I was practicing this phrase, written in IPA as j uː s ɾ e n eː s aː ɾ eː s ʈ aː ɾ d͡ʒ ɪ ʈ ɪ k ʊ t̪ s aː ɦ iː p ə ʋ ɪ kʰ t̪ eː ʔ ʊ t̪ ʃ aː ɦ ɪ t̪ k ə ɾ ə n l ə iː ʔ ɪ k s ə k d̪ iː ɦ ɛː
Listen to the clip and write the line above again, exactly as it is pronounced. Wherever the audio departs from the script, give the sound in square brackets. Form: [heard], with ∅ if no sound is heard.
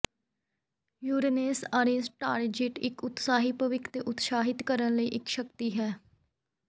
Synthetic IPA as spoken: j uː [∅] ɾ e n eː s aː ɾ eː s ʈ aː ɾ d͡ʒ ɪ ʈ ɪ k ʊ t̪ s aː ɦ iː p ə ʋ ɪ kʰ t̪ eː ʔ ʊ t̪ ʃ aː ɦ ɪ t̪ k ə ɾ ə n l ə iː ʔ ɪ k [ʃ] ə k [t̪] iː ɦ ɛː